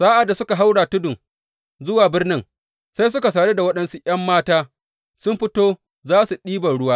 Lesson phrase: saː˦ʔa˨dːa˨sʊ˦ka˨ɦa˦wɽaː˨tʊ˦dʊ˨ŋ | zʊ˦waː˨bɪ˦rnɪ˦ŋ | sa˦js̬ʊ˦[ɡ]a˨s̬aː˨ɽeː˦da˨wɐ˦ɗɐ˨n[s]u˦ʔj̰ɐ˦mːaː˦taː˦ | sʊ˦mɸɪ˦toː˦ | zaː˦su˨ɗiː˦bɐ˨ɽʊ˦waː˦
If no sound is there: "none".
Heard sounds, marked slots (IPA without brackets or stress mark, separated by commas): k, s